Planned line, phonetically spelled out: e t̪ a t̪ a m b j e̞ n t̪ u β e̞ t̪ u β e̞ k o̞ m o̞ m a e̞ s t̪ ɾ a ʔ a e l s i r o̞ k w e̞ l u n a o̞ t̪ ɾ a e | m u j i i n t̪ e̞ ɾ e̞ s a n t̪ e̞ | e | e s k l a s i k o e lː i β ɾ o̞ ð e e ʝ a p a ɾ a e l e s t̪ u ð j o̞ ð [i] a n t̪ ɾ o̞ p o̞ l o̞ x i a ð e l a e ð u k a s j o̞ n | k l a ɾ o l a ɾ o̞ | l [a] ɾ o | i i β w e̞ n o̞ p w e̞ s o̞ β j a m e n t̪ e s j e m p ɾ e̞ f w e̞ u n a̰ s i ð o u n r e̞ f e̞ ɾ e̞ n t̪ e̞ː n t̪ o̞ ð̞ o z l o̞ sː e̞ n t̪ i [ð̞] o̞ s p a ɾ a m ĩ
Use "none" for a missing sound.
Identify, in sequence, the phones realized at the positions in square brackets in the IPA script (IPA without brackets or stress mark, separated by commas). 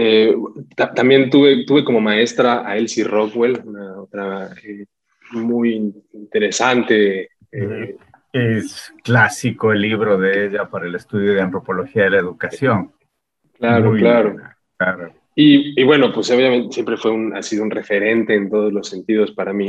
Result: e, a, ð̞